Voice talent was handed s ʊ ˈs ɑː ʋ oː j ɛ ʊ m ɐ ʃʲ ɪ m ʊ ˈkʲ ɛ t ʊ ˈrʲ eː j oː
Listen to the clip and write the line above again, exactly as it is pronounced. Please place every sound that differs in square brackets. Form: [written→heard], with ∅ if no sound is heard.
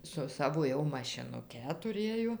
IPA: s ʊ ˈs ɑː ʋ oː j ɛ ʊ m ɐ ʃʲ ɪ [m→n] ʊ ˈkʲ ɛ t ʊ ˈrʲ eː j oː